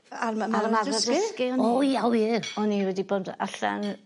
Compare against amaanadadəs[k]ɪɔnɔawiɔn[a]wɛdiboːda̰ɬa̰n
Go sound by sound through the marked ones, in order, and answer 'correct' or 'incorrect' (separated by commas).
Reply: correct, incorrect